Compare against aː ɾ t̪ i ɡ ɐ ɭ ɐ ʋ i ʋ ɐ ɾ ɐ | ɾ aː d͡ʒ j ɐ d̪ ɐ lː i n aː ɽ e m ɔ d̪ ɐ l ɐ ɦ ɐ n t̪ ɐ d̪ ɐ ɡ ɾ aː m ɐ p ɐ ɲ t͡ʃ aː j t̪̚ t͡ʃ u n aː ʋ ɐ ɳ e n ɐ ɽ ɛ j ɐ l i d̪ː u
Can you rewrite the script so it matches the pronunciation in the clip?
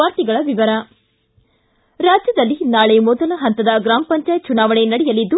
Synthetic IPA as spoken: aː ɾ t̪ i ɡ ɐ ɭ ɐ ʋ i ʋ ɐ ɾ ɐ | ɾ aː d͡ʒ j ɐ d̪ ɐ lː i n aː ɭ e m ɔ d̪ ɐ l ɐ ɦ ɐ n t̪ ɐ d̪ ɐ ɡ ɾ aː m ɐ p ɐ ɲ t͡ʃ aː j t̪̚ t͡ʃ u n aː ʋ ɐ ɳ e n ɐ ɽ ɛ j ɐ l i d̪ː u

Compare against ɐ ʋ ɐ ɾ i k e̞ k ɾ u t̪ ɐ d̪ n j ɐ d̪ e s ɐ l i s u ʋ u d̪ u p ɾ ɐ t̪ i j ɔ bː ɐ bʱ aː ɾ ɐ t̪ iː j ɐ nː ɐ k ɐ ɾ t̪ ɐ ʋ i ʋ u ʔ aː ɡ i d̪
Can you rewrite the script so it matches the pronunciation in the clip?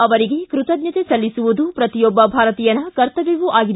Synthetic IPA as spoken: ɐ ʋ ɐ ɾ i ɡ e̞ k ɾ u t̪ ɐ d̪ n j ɐ t̪ e s ɐ lː i s u ʋ u d̪ u p ɾ ɐ t̪ i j ɔ bː ɐ bʱ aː ɾ ɐ t̪ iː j ɐ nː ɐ k ɐ ɾ t̪ ɐ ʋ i ʋ u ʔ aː ɡ i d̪

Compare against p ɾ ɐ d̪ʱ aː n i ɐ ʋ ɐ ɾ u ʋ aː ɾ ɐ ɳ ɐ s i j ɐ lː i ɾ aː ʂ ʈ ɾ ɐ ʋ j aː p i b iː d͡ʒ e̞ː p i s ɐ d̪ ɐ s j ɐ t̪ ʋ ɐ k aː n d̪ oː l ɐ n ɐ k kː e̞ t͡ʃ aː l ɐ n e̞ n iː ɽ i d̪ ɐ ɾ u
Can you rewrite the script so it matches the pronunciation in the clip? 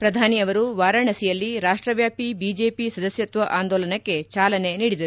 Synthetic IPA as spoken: p ɾ ɐ d̪ʱ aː n i ɐ ʋ ɐ ɾ u ʋ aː ɾ ɐ ɳ ɐ s i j ɐ lː i ɾ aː ʂ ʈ ɾ ɐ ʋ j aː p i b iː d͡ʒ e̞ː p i s ɐ d̪ ɐ s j ɐ t̪ ʋ ɐ ʔ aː n d̪ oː l ɐ n ɐ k kː e̞ t͡ʃ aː l ɐ n e̞ n iː ɽ i d̪ ɐ ɾ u

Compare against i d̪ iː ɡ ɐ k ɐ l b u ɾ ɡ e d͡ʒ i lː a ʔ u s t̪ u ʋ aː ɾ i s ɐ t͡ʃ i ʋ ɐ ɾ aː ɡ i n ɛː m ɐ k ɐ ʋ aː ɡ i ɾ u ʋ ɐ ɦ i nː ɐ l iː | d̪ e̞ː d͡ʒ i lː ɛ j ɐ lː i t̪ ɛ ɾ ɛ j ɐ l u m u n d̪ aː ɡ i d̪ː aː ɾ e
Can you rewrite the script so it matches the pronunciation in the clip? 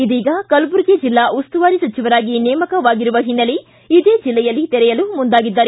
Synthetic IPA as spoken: i d̪ iː ɡ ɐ k ɐ l b u ɾ ɡ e d͡ʒ i lː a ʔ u s t̪ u ʋ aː ɾ i s ɐ t͡ʃ i ʋ ɐ ɾ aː ɡ i n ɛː m ɐ k ɐ ʋ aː ɡ i ɾ u ʋ ɐ ɦ i nː ɐ l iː | d̪ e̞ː d͡ʒ i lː ɛ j ɐ lː i t̪ ɛ ɾ ɛ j ɐ l u m u n d̪ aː ɡ i d̪ː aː ɾ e

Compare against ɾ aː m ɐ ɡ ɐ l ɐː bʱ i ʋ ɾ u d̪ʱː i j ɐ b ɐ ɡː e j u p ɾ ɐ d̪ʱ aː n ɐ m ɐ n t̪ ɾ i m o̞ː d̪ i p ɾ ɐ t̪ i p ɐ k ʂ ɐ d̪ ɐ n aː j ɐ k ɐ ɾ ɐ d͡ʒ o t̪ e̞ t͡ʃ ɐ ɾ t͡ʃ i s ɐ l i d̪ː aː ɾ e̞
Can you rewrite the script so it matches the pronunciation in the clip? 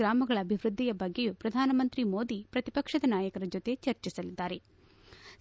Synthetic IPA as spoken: ɾ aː m ɐ ɡ ɐ ɭ ɐː bʱ i ʋ ɾ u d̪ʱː i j ɐ b ɐ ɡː e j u p ɾ ɐ d̪ʱ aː n ɐ m ɐ n t̪ ɾ i m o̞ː d̪ i p ɾ ɐ t̪ i p ɐ k ʂ ɐ d̪ ɐ n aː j ɐ k ɐ ɾ ɐ d͡ʒ o t̪ e̞ t͡ʃ ɐ ɾ t͡ʃ i s ɐ l i d̪ː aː ɾ e̞

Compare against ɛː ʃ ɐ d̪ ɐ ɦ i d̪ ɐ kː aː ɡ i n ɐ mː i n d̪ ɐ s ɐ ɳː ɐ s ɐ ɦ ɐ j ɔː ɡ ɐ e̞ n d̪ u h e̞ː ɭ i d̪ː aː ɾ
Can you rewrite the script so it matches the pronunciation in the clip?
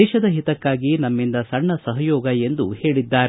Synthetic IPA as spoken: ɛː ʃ ɐ d̪ ɐ ɦ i t̪ ɐ kː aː ɡ i n ɐ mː i n d̪ ɐ s ɐ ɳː ɐ s ɐ ɦ ɐ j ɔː ɡ ɐ e̞ n d̪ u h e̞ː ɭ i d̪ː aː ɾ

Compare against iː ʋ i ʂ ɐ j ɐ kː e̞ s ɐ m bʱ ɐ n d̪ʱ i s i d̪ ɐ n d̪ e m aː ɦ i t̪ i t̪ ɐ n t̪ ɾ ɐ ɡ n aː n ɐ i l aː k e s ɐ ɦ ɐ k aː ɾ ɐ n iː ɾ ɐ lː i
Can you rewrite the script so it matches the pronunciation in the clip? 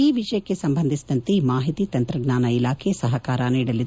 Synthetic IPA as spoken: iː ʋ i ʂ ɐ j ɐ kː e̞ s ɐ m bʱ ɐ n d̪ʱ i s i d̪ ɐ n t̪ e m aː ɦ i t̪ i t̪ ɐ n t̪ ɾ ɐ ɡ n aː n ɐ i l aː kʰ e s ɐ ɦ ɐ k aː ɾ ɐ n iː ɽ ɐ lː i

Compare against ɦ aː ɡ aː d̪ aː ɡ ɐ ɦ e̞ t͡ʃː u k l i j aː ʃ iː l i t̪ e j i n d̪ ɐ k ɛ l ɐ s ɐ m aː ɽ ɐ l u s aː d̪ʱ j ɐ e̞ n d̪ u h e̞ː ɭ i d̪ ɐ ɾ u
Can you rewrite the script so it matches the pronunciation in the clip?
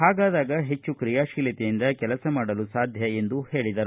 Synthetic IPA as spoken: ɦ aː ɡ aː d̪ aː ɡ ɐ ɦ e̞ t͡ʃː u k ɾ i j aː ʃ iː l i t̪ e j i n d̪ ɐ k ɛ l ɐ s ɐ m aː ɽ ɐ l u s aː d̪ʱ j ɐ e̞ n d̪ u h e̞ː ɭ i d̪ ɐ ɾ u

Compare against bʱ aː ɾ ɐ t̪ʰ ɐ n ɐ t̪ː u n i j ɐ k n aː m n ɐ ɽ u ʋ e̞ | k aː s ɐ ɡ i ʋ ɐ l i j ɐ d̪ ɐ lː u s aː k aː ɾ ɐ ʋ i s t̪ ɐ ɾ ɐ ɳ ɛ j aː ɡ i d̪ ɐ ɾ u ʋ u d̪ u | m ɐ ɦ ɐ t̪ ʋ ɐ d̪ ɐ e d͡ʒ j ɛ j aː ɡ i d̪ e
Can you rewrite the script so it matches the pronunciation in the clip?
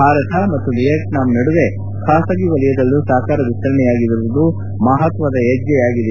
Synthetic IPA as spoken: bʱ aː ɾ ɐ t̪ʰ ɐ m ɐ t̪ː u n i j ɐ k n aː m n ɐ ɽ u ʋ e̞ | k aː s ɐ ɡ i ʋ ɐ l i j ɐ d̪ ɐ lː u s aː k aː ɾ ɐ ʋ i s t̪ ɐ ɾ ɐ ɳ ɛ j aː ɡ i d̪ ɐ ɾ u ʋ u d̪ u | m ɐ ɦ ɐ t̪ ʋ ɐ d̪ ɐ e d͡ʒ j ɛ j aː ɡ i d̪ e

